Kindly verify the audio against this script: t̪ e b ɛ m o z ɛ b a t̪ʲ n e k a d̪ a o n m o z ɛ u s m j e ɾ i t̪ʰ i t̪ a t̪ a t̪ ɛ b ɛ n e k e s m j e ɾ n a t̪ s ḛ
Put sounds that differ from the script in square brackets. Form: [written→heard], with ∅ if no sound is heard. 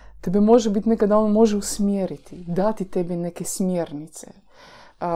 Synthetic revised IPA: t̪ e b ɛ m o [z→ʒ] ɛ b [a→i] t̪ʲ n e k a d̪ a o n m o [z→ʒ] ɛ u s m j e ɾ i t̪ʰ i [t̪→d̪] a t̪ [a→i] t̪ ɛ b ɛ n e k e s m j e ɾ n [a→i] t̪ s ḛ